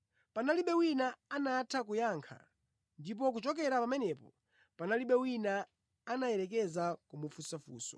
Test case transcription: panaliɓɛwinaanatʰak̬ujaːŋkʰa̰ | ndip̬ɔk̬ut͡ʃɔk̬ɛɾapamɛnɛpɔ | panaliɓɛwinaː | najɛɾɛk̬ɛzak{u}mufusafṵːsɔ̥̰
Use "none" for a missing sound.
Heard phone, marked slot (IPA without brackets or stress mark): u